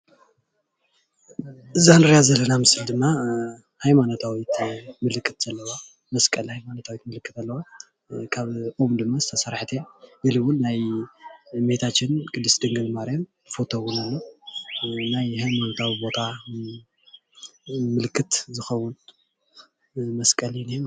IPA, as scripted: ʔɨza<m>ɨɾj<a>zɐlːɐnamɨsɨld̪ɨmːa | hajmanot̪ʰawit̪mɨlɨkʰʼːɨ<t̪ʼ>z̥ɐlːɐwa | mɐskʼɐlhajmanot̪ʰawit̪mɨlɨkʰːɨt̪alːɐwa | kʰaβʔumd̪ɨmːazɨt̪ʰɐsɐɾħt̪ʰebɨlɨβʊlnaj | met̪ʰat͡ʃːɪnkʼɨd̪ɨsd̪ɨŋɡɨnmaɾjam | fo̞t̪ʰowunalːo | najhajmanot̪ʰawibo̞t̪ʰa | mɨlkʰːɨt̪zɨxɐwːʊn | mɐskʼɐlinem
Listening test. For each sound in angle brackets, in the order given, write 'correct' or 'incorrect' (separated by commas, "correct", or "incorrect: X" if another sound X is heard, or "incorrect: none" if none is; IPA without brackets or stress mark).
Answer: incorrect: n, correct, incorrect: t̪